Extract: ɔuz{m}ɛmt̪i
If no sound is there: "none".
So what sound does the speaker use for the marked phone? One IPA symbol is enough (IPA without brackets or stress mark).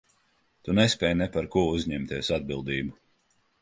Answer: ɲ